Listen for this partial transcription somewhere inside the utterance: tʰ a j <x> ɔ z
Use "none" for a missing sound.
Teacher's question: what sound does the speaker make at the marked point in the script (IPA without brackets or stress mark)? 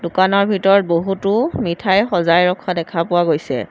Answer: x